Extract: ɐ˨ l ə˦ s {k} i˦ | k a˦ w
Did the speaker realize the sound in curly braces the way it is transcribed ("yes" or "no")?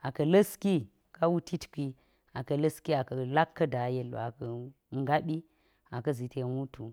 yes